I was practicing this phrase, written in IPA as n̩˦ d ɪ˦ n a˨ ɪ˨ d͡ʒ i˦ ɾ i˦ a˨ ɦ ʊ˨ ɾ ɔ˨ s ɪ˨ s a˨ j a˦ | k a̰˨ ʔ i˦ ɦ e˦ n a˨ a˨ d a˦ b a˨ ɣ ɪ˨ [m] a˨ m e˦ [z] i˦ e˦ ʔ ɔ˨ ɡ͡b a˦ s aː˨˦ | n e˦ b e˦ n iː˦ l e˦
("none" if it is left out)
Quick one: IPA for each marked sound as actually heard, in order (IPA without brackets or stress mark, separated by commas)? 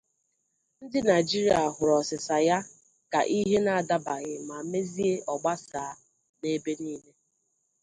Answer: m, z